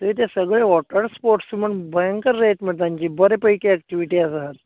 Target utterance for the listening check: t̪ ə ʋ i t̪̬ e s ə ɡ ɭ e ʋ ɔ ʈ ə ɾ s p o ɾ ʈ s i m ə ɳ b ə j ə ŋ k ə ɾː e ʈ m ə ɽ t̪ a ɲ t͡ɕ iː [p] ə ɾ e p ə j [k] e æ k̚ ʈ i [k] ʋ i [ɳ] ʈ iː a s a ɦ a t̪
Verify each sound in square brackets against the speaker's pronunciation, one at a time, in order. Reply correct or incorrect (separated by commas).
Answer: incorrect, correct, incorrect, incorrect